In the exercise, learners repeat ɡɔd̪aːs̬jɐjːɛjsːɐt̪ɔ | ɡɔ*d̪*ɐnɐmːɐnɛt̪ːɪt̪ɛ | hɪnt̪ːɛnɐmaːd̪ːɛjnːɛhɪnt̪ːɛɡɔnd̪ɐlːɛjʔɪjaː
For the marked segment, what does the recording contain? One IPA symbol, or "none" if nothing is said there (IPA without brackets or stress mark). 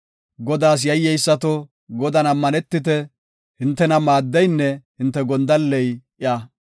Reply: d̪